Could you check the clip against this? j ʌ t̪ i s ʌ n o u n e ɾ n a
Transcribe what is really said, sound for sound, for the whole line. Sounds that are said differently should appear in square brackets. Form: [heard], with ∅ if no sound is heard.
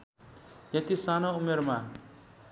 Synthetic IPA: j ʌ t̪ i s [a] n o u [m] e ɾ [m] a